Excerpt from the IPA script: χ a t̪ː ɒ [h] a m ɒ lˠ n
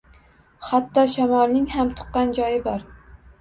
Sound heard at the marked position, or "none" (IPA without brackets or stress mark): ʃ